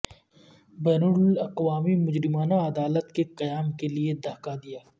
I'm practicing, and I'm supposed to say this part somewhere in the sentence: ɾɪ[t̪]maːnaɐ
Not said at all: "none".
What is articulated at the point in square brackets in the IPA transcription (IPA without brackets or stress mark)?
none